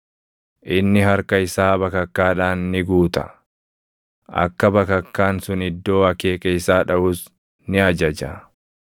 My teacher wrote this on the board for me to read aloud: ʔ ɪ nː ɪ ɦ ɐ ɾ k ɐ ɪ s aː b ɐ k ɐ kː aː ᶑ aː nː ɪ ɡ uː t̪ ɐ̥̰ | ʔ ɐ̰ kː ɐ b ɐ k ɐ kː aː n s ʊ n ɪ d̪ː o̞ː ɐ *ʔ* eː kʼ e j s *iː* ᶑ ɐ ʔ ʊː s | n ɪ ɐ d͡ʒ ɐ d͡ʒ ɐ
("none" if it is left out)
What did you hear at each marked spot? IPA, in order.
k, aː

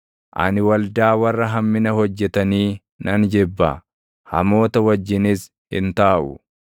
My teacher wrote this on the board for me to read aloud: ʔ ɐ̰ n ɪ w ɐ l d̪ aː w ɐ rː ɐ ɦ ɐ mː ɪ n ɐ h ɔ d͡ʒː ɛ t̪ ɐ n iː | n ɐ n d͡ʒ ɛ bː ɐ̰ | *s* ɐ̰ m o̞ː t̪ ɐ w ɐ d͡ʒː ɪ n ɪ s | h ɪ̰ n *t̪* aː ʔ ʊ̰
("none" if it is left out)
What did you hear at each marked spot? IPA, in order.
h, t̪

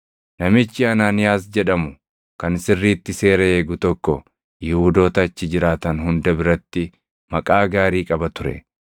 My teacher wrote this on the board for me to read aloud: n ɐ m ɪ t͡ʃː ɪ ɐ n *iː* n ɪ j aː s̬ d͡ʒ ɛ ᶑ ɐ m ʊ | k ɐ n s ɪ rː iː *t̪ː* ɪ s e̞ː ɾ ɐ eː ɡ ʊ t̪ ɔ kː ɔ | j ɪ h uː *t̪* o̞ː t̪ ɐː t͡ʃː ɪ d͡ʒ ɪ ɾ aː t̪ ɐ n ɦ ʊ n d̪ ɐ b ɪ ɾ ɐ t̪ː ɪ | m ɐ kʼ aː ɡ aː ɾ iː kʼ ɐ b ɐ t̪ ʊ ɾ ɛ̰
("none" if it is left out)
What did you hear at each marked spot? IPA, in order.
aː, t̪ː, d̪

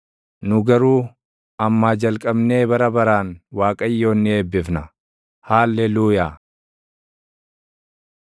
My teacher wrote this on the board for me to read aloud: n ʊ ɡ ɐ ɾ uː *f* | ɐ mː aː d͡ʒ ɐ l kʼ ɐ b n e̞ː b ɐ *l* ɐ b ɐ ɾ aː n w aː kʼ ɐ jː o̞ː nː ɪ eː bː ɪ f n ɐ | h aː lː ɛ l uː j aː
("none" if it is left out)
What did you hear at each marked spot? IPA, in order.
none, ɾ

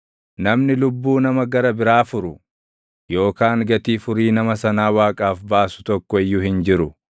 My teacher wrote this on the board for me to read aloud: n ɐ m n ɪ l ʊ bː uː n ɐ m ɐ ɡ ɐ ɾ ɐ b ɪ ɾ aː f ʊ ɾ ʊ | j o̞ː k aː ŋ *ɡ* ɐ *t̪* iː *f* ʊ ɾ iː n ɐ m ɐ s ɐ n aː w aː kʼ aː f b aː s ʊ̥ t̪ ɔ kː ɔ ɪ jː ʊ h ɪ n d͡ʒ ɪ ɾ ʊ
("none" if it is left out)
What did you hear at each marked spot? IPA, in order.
ɡ, t̪, f

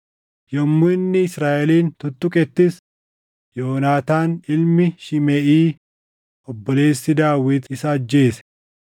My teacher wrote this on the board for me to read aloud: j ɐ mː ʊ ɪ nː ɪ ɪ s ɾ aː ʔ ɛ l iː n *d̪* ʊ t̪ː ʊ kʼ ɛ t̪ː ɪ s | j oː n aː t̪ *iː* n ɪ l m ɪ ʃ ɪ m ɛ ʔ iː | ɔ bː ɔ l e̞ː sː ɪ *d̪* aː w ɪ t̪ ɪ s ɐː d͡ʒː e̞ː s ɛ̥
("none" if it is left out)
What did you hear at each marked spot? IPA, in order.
t̪, aː, d̪

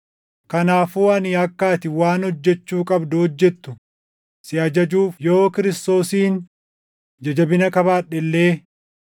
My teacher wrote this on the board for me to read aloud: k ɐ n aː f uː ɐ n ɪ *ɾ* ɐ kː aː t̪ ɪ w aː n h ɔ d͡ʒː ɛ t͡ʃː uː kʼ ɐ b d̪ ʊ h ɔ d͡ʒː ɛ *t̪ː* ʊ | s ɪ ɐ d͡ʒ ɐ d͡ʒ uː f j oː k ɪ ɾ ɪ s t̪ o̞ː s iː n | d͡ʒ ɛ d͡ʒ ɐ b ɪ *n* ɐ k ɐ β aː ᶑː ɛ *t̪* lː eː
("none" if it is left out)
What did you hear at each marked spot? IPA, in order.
none, t̪ː, n, none

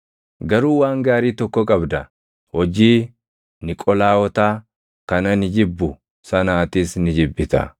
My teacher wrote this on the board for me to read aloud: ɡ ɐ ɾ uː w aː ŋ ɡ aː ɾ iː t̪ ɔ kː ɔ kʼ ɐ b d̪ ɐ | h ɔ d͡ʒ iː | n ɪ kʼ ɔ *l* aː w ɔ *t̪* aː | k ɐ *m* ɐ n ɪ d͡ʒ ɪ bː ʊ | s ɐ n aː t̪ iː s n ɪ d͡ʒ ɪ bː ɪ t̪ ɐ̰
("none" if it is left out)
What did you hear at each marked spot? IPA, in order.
l, t̪, n

